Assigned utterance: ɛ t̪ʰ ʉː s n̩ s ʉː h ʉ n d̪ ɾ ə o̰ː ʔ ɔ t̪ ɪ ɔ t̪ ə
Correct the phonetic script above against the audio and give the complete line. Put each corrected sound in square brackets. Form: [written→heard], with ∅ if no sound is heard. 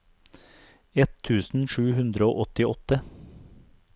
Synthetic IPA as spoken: ɛ t̪ʰ ʉː s n̩ [s→ʃ] ʉː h ʉ n d̪ ɾ ə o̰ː ʔ ɔ t̪ ɪ ɔ t̪ ə